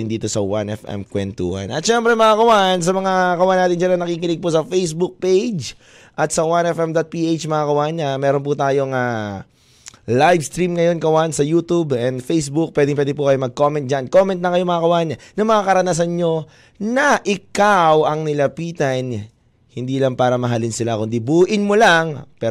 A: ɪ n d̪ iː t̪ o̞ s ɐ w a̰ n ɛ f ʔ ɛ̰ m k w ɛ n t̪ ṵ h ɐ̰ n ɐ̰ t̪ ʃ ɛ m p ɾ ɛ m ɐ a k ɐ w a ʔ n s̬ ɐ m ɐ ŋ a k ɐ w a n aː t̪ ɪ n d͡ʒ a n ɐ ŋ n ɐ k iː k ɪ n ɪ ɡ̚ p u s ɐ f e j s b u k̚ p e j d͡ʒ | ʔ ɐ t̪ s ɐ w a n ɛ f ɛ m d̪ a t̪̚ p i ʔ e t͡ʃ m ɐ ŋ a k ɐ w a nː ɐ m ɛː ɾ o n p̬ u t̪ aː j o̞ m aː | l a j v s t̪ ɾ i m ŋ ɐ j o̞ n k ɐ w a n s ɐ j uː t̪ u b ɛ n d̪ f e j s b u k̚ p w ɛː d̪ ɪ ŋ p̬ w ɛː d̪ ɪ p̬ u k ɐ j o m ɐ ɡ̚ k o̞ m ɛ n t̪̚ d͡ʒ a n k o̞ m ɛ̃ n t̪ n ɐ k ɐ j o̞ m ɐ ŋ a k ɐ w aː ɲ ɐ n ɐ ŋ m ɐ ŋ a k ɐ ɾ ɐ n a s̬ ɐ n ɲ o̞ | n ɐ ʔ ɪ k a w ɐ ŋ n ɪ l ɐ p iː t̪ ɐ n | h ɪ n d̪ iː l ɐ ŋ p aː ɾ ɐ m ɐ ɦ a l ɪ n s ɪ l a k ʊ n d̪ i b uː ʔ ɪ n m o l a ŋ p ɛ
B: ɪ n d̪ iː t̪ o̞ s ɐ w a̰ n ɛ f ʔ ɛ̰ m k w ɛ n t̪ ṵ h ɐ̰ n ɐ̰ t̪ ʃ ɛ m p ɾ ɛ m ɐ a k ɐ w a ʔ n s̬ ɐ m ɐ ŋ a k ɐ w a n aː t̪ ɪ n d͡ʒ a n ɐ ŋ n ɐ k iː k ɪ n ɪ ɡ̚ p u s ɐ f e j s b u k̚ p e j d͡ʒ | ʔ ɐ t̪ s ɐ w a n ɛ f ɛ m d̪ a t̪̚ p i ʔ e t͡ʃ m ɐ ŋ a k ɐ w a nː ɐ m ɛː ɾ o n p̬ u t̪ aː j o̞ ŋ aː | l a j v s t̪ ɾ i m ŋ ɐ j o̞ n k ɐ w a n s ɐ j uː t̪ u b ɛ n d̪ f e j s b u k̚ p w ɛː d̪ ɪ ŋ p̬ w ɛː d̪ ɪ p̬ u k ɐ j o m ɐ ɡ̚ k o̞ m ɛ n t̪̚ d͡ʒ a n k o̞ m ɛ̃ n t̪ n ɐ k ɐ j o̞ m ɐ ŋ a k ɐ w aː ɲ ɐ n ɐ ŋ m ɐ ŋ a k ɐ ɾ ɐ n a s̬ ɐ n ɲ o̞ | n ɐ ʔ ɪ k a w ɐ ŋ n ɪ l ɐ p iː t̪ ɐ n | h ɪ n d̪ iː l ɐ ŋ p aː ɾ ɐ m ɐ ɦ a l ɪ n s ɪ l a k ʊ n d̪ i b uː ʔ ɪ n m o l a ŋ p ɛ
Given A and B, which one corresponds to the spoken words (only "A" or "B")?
B